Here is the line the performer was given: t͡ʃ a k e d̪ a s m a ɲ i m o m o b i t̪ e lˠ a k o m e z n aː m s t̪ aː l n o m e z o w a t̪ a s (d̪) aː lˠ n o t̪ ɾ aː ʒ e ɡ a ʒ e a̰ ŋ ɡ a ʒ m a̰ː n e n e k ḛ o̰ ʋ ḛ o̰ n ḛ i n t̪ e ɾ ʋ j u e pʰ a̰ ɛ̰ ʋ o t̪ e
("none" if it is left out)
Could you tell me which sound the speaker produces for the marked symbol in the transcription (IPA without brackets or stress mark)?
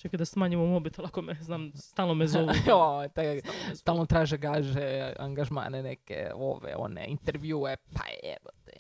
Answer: t̪